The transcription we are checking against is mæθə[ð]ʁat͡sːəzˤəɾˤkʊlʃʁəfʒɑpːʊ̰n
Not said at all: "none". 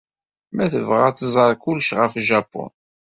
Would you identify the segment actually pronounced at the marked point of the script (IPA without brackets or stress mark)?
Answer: v